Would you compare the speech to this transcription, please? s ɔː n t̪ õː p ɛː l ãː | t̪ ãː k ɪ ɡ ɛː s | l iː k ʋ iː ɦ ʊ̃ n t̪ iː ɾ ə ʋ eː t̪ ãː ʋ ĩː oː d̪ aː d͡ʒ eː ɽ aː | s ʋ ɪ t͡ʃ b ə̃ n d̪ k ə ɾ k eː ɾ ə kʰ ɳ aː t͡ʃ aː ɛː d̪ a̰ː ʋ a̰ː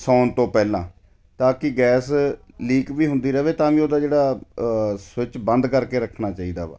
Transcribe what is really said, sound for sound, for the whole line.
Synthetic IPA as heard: s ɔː n t̪ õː p ɛː l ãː | t̪ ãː k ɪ ɡ ɛː s | l iː k ʋ iː ɦ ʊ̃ n d̪ iː ɾ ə ʋ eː t̪ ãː ʋ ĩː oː d̪ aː d͡ʒ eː ɽ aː | s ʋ ɪ t͡ʃ b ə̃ n d̪ k ə ɾ k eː ɾ ə kʰ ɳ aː t͡ʃ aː iː d̪ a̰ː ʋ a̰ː